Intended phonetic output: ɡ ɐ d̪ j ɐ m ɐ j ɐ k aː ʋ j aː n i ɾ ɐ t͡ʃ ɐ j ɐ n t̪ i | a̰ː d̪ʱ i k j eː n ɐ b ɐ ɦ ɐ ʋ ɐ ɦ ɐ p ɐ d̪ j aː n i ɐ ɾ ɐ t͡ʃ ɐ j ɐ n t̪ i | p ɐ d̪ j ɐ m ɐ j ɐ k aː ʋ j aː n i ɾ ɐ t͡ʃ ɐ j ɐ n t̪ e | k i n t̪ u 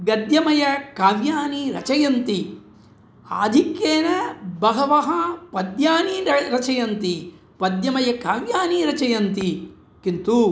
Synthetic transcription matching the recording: ɡ ɐ d̪ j ɐ m ɐ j ɐ k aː ʋ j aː n i ɾ ɐ t͡ʃ ɐ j ɐ n t̪ i | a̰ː d̪ʱ i k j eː n ɐ b ɐ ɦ ɐ ʋ ɐ ɦ ɐ p ɐ d̪ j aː n i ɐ ɾ ɐ t͡ʃ ɐ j ɐ n t̪ i | p ɐ d̪ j ɐ m ɐ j ɐ k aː ʋ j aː n i ɾ ɐ t͡ʃ ɐ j ɐ n t̪ i | k i n t̪ u

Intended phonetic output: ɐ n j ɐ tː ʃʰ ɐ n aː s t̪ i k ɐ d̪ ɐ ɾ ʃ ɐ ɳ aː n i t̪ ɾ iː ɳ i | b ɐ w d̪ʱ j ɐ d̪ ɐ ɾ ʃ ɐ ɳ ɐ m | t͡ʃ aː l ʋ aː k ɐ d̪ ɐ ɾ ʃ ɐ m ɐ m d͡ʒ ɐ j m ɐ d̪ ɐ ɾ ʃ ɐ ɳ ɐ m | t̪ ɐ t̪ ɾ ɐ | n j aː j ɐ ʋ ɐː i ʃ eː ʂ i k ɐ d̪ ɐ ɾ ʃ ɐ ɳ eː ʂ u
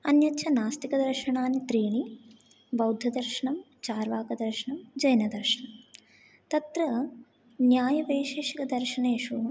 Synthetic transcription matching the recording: ɐ n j ɐ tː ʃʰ ɐ n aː s t̪ i k ɐ d̪ ɐ ɾ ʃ ɐ ɳ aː n i t̪ ɾ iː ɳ i | b ɐ w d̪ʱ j ɐ d̪ ɐ ɾ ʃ ɐ ɳ ɐ m | t͡ʃ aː ɾ ʋ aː k ɐ d̪ ɐ ɾ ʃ ɐ ɳ ɐ m d͡ʒ ɐ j n ɐ d̪ ɐ ɾ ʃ ɐ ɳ ɐ m | t̪ ɐ t̪ ɾ ɐ | n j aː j ɐ ʋ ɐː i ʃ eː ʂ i k ɐ d̪ ɐ ɾ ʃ ɐ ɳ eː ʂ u

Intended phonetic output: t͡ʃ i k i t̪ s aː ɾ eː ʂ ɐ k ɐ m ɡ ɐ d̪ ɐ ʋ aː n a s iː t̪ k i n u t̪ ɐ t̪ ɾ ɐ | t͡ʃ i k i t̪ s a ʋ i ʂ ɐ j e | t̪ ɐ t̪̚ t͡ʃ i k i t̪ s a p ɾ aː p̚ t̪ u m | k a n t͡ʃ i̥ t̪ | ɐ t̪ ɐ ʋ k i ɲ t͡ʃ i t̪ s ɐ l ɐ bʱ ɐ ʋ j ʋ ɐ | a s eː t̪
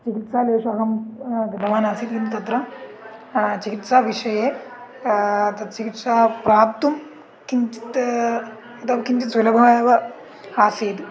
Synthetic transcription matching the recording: t͡ʃ i k i t̪ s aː l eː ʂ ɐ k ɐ m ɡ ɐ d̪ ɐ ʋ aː n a s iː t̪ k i n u t̪ ɐ t̪ ɾ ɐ | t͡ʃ i k i t̪ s a ʋ i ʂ ɐ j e | t̪ ɐ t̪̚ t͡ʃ i k i t̪ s a p ɾ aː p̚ t̪ u m | k i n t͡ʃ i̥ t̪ | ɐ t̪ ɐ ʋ k i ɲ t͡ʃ i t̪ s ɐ l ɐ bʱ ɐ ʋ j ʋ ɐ | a s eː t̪

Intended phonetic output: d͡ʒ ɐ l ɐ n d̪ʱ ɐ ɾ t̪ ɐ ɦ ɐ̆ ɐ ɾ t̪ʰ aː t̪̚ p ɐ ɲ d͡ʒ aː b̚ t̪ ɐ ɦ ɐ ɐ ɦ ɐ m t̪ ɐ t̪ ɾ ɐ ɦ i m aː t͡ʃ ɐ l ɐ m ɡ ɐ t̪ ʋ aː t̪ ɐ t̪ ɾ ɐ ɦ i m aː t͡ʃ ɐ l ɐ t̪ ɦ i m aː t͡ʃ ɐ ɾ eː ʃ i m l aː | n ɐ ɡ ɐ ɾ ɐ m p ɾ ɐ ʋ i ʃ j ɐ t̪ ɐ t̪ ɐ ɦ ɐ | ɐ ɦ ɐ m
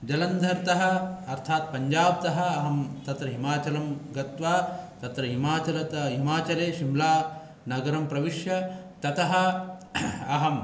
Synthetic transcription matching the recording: d͡ʒ ɐ l ɐ n d̪ʱ ɐ ɾ t̪ ɐ ɦ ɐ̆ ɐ ɾ t̪ʰ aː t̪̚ p ɐ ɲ d͡ʒ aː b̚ t̪ ɐ ɦ ɐ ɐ ɦ ɐ m t̪ ɐ t̪ ɾ ɐ ɦ i m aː t͡ʃ ɐ l ɐ m ɡ ɐ t̪ ʋ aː t̪ ɐ t̪ ɾ ɐ ɦ i m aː t͡ʃ ɐ l ɐ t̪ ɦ i m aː t͡ʃ ɐ ɾ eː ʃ i m l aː | n ɐ ɡ ɐ ɾ ɐ m p ɾ ɐ ʋ i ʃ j ɐ t̪ ɐ t̪ ɐ ɦ ɐ | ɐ ɦ ɐ m

